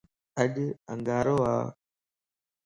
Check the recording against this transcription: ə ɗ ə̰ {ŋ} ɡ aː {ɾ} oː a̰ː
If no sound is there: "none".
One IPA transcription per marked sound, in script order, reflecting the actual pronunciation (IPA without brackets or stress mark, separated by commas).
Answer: ŋ, ɾ